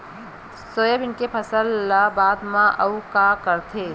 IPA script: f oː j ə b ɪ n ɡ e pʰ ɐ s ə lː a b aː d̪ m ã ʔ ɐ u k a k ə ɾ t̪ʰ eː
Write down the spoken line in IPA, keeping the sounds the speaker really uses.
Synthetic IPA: s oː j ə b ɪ n k e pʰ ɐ s ə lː a b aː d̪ m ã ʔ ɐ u k a k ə ɾ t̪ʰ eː